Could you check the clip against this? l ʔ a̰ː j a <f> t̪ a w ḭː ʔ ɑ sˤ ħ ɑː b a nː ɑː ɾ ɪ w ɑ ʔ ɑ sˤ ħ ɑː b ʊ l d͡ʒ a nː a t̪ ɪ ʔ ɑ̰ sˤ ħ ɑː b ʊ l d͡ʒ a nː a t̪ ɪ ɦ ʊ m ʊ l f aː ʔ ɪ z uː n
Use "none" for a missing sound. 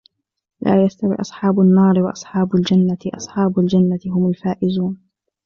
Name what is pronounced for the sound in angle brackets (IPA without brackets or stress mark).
s